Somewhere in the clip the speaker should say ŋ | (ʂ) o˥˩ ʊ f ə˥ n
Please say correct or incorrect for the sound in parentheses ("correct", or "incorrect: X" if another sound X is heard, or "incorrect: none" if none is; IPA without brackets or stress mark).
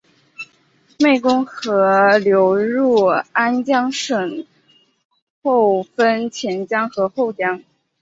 incorrect: x